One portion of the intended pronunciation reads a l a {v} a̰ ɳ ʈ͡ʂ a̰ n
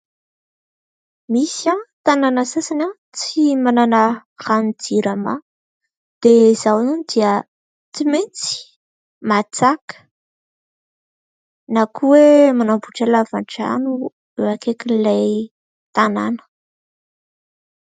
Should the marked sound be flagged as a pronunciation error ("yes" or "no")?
no